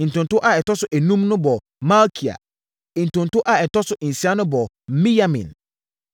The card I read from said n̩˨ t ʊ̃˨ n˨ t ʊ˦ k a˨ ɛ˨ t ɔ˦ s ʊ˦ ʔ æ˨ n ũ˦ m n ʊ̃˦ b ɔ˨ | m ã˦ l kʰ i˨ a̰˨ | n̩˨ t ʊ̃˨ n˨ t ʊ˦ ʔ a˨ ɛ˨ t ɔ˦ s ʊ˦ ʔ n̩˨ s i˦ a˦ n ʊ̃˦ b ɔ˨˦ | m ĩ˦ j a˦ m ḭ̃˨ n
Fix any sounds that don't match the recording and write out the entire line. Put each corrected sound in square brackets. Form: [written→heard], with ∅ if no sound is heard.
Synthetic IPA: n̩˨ t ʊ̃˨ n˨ t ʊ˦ [k→ʔ] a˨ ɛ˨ t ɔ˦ s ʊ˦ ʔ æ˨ n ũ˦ m n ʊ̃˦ b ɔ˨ | m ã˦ l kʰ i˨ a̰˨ | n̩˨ t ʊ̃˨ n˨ t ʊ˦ ʔ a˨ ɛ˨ t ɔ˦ s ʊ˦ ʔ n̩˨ s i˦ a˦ n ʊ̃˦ b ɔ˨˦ | m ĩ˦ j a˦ m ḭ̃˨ n

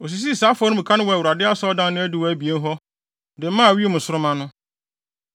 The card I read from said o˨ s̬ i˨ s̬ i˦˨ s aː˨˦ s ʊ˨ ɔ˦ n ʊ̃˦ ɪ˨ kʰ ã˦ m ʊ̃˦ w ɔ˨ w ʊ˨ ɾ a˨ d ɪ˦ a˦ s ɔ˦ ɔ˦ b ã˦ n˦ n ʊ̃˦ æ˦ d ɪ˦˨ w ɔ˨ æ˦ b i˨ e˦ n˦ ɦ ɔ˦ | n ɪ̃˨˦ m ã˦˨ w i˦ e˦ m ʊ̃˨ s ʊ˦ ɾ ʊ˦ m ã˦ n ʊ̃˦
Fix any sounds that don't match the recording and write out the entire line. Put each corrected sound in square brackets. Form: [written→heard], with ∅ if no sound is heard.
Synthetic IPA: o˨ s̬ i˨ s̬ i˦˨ s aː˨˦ [s→f] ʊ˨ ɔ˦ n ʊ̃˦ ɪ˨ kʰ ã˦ [m→n] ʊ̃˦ w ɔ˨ w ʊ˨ ɾ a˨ d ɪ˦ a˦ s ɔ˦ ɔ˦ [b→d] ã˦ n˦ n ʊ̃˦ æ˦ d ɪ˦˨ w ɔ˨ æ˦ b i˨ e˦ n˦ ɦ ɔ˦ | [n→d] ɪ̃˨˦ m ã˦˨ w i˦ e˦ m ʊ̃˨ s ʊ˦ ɾ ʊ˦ m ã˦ n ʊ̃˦

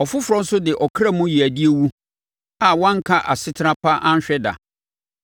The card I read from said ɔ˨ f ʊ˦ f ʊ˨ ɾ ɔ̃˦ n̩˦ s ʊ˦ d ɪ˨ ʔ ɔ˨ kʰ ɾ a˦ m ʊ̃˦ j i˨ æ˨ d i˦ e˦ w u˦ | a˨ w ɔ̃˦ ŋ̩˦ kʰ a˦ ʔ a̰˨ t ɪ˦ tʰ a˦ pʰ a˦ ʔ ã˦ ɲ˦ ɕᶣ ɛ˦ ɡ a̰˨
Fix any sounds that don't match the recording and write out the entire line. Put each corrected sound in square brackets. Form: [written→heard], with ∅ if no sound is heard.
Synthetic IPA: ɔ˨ f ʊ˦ f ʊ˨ ɾ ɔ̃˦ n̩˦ s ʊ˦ d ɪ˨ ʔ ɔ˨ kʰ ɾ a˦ m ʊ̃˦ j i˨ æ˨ d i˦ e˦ w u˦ | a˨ w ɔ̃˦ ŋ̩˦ kʰ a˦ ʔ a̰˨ [t→s] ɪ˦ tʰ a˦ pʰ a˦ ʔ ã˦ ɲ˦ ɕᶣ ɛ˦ [ɡ→d] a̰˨

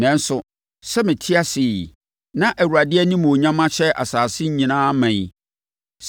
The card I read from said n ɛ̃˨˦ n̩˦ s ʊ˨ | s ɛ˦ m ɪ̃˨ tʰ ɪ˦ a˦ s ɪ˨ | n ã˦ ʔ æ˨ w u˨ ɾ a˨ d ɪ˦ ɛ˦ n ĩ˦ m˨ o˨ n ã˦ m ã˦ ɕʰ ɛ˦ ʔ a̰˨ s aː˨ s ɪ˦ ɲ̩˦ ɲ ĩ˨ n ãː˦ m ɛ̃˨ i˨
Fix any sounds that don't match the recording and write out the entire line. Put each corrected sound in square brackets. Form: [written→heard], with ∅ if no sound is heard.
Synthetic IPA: n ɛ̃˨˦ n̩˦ s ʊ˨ | s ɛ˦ m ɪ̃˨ tʰ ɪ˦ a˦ s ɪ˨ | n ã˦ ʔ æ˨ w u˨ ɾ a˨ d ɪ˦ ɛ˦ n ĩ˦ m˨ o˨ [n→ɲ] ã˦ m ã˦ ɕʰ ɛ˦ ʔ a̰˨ s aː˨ s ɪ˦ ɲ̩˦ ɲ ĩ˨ n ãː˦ m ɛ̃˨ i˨

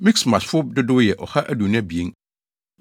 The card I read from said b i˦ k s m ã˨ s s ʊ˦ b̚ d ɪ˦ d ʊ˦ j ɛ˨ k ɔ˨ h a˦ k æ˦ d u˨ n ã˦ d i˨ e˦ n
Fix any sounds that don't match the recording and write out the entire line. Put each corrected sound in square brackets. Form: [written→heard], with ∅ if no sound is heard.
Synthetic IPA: [b→m] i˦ k s m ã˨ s [s→f] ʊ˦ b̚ d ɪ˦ d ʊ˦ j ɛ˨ [k→ʔ] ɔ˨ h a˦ [k→ʔ] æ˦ d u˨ n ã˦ [d→b] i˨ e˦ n

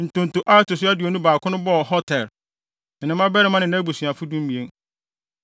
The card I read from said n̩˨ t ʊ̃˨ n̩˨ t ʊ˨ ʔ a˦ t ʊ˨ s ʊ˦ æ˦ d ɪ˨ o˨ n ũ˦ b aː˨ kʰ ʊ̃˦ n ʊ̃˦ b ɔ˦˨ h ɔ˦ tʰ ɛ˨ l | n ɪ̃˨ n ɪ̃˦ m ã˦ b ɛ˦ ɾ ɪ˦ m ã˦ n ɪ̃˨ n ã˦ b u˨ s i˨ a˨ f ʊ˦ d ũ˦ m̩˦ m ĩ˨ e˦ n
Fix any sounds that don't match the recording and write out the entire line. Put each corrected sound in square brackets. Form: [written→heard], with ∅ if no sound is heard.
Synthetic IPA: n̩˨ t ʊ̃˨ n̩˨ t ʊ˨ ʔ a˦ t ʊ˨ s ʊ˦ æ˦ d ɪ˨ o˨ n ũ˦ b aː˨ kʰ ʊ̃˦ n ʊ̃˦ b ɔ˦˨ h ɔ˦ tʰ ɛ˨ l | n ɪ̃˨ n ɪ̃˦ m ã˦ b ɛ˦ ɾ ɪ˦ m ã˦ n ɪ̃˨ n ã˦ b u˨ s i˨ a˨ f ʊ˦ d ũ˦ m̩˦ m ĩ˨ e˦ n

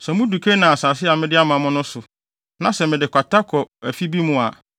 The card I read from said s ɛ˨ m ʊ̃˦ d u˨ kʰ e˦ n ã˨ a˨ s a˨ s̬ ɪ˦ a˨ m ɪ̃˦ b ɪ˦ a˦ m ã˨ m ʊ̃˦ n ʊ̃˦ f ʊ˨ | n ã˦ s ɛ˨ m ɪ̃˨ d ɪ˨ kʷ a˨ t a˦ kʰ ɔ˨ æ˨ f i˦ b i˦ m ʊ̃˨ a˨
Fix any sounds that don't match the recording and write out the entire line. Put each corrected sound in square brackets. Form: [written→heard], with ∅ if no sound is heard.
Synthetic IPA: s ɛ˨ m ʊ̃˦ d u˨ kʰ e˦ n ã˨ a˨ s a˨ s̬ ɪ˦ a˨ m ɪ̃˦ [b→d] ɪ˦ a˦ m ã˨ m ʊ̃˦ n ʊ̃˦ [f→s] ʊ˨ | n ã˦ s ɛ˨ m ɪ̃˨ d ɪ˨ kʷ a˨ t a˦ kʰ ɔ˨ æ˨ f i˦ b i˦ m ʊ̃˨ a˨

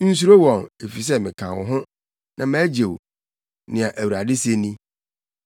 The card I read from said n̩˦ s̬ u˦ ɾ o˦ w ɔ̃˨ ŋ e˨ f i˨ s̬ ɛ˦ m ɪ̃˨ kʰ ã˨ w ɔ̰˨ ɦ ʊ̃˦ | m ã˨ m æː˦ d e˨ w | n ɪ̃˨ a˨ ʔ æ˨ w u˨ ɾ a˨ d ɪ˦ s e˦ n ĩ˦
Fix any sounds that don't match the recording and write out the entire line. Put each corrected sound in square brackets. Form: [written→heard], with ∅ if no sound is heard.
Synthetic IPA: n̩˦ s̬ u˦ ɾ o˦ w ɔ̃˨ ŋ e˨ f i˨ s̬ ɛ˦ m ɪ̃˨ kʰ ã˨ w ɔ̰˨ ɦ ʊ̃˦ | [m→n] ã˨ m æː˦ [d→d͡ʑ] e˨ w | n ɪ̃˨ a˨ ʔ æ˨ w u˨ ɾ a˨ d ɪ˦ s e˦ n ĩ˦

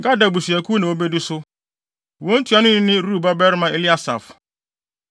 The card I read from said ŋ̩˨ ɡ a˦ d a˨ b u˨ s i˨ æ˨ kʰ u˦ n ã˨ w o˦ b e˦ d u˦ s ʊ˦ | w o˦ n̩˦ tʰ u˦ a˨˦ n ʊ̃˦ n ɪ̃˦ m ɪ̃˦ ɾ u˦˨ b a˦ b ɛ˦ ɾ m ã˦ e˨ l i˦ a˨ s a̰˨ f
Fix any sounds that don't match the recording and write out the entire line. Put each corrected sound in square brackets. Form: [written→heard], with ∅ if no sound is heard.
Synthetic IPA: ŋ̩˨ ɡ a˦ d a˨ b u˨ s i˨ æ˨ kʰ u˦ n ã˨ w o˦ b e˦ d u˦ s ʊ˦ | w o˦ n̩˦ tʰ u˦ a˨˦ n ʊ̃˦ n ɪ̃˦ [m→n] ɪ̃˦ ɾ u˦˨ b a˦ b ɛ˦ ɾ m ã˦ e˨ l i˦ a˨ s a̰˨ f

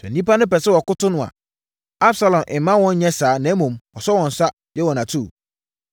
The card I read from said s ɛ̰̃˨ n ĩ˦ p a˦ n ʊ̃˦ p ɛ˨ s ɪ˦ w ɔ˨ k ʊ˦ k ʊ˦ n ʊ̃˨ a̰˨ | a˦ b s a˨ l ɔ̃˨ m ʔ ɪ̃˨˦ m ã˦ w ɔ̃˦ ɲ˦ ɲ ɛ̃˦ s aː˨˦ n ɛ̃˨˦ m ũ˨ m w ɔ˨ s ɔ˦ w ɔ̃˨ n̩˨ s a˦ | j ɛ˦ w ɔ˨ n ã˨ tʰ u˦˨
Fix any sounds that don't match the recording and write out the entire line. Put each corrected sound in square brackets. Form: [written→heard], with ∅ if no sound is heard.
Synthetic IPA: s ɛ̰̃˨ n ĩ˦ p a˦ n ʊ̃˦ p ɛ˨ s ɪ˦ w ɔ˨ k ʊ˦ [k→t] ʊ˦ n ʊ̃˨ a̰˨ | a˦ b s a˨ l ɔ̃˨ m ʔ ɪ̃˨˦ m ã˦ w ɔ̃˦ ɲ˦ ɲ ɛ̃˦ s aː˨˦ n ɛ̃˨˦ m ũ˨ m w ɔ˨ s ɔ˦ w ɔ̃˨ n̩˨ s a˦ | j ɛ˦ w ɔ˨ n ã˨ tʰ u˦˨

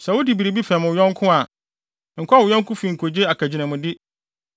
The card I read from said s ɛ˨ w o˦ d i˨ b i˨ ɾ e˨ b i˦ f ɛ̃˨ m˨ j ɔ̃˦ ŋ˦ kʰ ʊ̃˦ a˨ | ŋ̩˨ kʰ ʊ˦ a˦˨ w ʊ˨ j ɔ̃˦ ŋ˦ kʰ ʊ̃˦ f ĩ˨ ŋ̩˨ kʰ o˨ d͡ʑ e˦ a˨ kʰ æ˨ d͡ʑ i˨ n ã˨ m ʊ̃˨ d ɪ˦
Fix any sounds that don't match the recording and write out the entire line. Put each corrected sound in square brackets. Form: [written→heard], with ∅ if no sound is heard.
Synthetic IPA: s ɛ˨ w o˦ d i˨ b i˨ ɾ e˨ b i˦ f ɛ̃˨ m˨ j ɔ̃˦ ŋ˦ kʰ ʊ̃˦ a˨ | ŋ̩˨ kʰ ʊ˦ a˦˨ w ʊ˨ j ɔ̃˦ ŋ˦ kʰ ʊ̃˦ f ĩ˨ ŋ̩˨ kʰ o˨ d͡ʑ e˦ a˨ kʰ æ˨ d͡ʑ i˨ n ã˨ m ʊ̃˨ d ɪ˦

